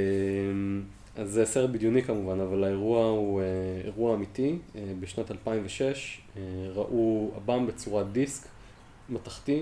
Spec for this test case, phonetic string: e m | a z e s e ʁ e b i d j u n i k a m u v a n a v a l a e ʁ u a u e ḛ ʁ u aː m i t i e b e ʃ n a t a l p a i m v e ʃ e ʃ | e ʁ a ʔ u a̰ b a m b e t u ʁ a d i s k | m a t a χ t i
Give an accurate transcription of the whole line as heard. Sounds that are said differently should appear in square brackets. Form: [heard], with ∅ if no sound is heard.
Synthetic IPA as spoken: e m | a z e s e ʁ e b i d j u n i k a m u v a n a v a l a e ʁ u a u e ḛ ʁ u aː m i t i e b e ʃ n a t a l p a i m v e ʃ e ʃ | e ʁ a ʔ u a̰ b a m b e [t͡s] u ʁ a d i s k | m a t a χ t i